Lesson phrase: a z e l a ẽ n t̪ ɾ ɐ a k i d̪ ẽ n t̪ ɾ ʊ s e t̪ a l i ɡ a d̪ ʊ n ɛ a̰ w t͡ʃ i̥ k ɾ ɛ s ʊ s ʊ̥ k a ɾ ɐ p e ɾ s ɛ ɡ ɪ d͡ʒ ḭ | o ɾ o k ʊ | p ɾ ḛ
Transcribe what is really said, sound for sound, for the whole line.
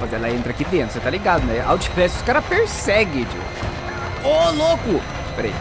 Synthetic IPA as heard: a z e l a ẽ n t̪ ɾ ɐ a k i d̪ ẽ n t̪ ɾ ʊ s e t̪ a l i ɡ a d̪ ʊ n ɛ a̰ w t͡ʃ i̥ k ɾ ɛ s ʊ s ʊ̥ k a ɾ ɐ p e ɾ s ɛ ɡ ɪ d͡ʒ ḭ | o l o k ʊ | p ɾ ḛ